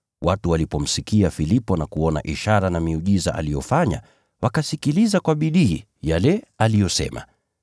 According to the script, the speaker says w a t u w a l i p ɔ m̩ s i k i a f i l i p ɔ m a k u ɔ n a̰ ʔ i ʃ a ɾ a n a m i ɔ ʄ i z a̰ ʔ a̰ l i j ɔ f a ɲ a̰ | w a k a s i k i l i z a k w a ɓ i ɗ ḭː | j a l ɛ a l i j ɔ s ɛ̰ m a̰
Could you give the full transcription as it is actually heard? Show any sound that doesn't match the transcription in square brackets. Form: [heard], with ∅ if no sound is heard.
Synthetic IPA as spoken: w a t u w a l i p ɔ m̩ s i k i a f i l i p ɔ [n] a k u ɔ n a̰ ʔ i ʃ a ɾ a n a m i [u] ʄ i z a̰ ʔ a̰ l i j ɔ f a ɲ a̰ | w a k a s i k i l i z a k w a ɓ i ɗ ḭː | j a l ɛ a l i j ɔ s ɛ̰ m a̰